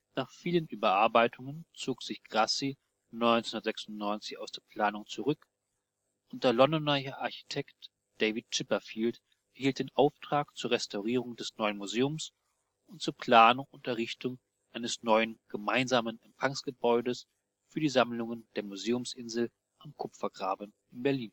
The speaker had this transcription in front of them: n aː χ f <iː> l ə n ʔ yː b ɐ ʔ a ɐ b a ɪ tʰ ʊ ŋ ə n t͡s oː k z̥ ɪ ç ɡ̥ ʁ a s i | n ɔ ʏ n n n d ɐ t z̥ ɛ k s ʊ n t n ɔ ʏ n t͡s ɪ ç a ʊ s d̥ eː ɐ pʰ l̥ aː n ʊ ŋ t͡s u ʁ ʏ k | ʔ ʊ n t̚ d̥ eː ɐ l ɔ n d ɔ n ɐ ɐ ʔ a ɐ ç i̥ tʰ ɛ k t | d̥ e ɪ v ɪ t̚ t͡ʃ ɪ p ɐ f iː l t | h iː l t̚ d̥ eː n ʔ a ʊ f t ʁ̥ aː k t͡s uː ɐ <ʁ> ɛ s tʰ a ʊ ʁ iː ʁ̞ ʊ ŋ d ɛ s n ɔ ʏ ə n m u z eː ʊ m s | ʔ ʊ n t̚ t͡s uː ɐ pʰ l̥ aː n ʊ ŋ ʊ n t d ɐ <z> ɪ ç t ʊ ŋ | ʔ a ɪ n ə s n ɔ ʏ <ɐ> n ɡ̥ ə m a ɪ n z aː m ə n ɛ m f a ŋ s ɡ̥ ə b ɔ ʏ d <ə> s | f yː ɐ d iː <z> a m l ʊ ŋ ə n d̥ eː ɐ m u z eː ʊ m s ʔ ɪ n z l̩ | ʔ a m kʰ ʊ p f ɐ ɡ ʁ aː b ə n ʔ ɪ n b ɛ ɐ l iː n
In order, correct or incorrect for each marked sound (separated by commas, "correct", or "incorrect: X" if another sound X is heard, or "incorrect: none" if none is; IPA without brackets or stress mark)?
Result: correct, correct, incorrect: ʁ, incorrect: ə, correct, correct